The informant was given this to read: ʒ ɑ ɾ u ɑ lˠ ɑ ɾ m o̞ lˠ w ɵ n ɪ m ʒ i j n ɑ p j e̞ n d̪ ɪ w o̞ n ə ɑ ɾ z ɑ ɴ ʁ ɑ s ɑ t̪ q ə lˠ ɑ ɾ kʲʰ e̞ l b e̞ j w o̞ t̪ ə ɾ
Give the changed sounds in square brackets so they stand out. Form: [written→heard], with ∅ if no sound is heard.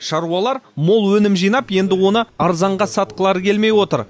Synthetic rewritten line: [ʒ→ʃ] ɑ ɾ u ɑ lˠ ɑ ɾ m o̞ lˠ w ɵ n ɪ m ʒ i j n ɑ p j e̞ n d̪ ɪ w o̞ n ə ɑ ɾ z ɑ ɴ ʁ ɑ s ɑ t̪ q ə lˠ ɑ ɾ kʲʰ e̞ l [b→m] e̞ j w o̞ t̪ ə ɾ

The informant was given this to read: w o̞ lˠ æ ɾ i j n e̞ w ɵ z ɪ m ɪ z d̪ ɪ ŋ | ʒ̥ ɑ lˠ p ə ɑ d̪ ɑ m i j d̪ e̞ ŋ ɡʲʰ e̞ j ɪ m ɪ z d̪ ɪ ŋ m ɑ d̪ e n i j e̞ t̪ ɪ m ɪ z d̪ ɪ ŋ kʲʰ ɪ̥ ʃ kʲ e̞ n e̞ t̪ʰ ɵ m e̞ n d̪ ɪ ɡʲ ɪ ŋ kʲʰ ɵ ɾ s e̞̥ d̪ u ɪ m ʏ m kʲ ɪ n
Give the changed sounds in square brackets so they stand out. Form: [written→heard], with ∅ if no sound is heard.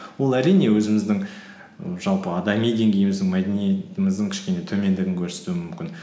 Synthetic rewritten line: w o̞ lˠ æ ɾ i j n e̞ w ɵ z ɪ m ɪ z d̪ ɪ ŋ | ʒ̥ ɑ lˠ p ə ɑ d̪ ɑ m i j d̪ e̞ ŋ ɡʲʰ e̞ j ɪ m ɪ z d̪ ɪ ŋ m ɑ d̪ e n i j e̞ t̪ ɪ m ɪ z d̪ ɪ ŋ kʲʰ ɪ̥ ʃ kʲ e̞ n e̞ t̪ʰ ɵ m e̞ n d̪ ɪ ɡʲ ɪ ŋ kʲʰ ɵ ɾ s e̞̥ [d̪→t̪] u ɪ m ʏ m kʲ ɪ n

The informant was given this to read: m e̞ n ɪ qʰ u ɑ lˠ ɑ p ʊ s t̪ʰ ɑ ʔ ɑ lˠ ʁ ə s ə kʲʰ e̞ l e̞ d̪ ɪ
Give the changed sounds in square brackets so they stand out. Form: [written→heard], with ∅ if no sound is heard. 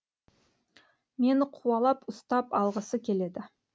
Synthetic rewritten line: m e̞ n ɪ qʰ u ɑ lˠ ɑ p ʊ s [t̪ʰ→t̪] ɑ [ʔ→p] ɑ lˠ ʁ ə s ə kʲʰ e̞ l e̞ d̪ ɪ

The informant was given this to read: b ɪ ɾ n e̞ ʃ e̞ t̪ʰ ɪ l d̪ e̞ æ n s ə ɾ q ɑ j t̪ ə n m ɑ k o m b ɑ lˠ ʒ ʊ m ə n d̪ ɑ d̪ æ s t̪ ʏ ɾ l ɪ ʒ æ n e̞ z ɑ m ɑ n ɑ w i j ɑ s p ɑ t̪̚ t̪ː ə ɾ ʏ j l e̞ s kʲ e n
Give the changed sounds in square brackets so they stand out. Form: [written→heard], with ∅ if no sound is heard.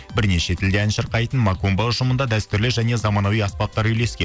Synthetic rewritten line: b ɪ ɾ n e̞ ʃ e̞ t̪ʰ ɪ l d̪ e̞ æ n [s→ʃ] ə ɾ q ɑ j t̪ ə n m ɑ k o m b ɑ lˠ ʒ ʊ m ə n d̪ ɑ d̪ æ s t̪ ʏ ɾ l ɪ ʒ æ n e̞ z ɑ m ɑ n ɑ w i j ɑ s p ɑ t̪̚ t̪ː [ə→ɑ] ɾ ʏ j l e̞ s kʲ e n

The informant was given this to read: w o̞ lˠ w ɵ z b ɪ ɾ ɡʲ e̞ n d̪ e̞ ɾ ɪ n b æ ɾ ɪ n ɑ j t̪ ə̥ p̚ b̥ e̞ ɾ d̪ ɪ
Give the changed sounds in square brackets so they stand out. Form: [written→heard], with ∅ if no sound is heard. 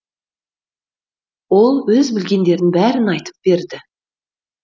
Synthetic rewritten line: w o̞ lˠ w ɵ z b ɪ [ɾ→l] ɡʲ e̞ n d̪ e̞ ɾ ɪ n b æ ɾ ɪ n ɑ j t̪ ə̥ p̚ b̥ e̞ ɾ d̪ ɪ

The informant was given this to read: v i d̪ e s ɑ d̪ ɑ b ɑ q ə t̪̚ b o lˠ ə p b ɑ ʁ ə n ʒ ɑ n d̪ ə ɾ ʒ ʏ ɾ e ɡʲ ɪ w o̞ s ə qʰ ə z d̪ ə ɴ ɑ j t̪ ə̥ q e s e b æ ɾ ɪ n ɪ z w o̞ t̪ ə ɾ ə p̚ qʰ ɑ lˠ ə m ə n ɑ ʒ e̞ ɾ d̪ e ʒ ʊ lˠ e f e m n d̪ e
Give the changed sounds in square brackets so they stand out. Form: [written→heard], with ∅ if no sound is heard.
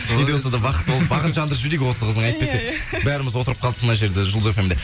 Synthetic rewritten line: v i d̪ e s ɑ d̪ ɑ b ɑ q ə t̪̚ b o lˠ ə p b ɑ ʁ ə n ʒ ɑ n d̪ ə ɾ ʒ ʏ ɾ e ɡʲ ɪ w o̞ s ə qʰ ə z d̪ ə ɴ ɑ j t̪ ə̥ [q→p] e s e b æ ɾ ɪ [n→m] ɪ z w o̞ t̪ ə ɾ ə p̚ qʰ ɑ lˠ ə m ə n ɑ ʒ e̞ ɾ d̪ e ʒ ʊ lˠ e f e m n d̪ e

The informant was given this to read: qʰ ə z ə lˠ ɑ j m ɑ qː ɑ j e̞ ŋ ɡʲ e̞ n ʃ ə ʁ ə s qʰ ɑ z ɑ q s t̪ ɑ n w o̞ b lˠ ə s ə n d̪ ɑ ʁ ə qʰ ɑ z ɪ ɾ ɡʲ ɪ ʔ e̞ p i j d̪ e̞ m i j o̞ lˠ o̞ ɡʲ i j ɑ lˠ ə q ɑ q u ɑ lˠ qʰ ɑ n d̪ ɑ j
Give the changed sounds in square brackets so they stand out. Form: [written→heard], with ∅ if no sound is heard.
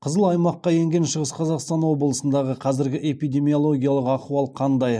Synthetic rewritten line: qʰ ə z ə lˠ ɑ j m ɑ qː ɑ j e̞ ŋ ɡʲ e̞ n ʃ ə ʁ ə s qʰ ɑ z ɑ q s t̪ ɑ n w o̞ b lˠ ə s ə n d̪ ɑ ʁ ə qʰ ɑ z ɪ ɾ ɡʲ ɪ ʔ e̞ p i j d̪ e̞ m i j o̞ lˠ o̞ ɡʲ i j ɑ lˠ ə q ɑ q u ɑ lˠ qʰ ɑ n d̪ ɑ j

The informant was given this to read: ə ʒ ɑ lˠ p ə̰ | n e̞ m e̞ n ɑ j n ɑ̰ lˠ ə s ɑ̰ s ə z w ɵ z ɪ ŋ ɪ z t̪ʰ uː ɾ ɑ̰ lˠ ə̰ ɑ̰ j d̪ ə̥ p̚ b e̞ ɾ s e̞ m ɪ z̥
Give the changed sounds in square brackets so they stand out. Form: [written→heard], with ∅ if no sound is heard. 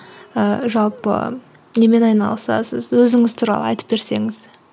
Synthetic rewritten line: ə ʒ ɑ lˠ p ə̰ | n e̞ m e̞ n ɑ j n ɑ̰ lˠ ə s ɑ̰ s ə z w ɵ z ɪ ŋ ɪ z t̪ʰ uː ɾ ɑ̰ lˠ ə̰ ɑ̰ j [d̪→t̪] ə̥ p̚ b e̞ ɾ s e̞ [m→ŋ] ɪ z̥

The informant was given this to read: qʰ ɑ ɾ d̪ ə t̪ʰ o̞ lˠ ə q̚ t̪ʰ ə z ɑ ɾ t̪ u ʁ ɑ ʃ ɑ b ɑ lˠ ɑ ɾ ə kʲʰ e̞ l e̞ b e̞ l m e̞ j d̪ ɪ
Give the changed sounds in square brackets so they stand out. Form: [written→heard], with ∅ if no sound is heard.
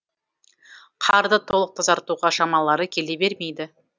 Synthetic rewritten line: qʰ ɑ ɾ d̪ ə t̪ʰ o̞ lˠ ə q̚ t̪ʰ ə z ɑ ɾ t̪ u ʁ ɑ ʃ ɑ [b→m] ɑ lˠ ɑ ɾ ə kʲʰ e̞ l e̞ b e̞ [l→ɾ] m e̞ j d̪ ɪ

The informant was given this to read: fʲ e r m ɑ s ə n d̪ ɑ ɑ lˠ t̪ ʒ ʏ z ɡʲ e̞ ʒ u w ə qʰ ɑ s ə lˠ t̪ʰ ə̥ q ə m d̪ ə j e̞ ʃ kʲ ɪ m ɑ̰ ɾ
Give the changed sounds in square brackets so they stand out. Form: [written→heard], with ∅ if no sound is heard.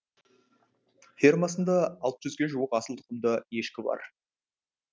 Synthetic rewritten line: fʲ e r m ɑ s ə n d̪ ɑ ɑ lˠ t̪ ʒ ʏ z ɡʲ e̞ ʒ u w ə [qʰ→q] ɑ s ə lˠ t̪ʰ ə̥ q ə m d̪ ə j e̞ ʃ kʲ ɪ [m→b] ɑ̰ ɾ

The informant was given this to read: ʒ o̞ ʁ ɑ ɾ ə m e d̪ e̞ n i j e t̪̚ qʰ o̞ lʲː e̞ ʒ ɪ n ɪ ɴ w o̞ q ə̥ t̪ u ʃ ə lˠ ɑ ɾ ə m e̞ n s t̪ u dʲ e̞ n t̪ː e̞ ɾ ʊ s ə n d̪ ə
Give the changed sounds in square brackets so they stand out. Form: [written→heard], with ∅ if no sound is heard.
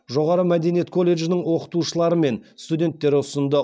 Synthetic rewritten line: ʒ o̞ ʁ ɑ ɾ ə m [e→æ] d̪ e̞ n i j e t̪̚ [qʰ→kʰ] o̞ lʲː e̞ ʒ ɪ n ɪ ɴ w o̞ q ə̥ t̪ u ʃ ə lˠ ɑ ɾ ə m e̞ n s t̪ u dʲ e̞ n t̪ː e̞ ɾ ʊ s ə n d̪ ə

